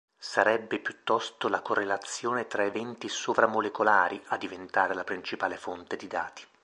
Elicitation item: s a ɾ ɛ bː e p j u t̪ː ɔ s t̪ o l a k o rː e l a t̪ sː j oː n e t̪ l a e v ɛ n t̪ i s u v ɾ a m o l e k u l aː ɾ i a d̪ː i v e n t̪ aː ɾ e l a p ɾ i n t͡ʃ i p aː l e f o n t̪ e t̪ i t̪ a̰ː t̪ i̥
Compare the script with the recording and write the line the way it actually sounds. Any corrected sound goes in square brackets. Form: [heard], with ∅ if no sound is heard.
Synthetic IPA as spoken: s a ɾ ɛ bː e p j u t̪ː ɔ s t̪ o l a k o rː e l a t̪ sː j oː n e t̪ [ɾ] a e v ɛ n t̪ i s [o] v ɾ a m o l e k [o] l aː ɾ i a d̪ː i v e n t̪ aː ɾ e l a p ɾ i n t͡ʃ i p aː l e f o n t̪ e [d̪] i [d̪] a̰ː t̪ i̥